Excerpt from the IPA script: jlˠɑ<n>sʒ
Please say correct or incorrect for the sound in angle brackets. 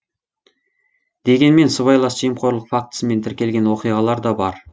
incorrect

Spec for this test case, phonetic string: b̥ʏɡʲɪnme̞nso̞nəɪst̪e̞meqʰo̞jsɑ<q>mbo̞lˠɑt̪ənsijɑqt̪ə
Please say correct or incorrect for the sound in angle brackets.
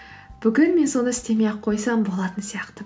incorrect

